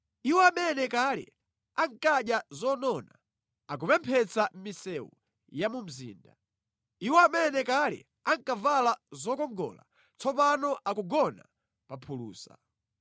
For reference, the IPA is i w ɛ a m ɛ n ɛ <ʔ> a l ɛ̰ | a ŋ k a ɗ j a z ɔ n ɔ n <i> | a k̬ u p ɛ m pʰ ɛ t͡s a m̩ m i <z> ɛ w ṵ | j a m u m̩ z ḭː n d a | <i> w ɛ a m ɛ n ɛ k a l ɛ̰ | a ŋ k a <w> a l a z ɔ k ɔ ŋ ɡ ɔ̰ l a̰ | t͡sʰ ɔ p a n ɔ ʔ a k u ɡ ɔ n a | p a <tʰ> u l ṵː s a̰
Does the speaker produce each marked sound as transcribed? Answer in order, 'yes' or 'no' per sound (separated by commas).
no, no, no, yes, no, no